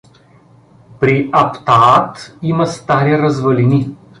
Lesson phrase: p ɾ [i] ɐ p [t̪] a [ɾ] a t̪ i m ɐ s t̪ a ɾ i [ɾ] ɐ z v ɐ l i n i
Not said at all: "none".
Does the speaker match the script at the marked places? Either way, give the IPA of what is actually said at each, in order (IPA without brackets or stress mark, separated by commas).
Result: i, t̪, none, ɾ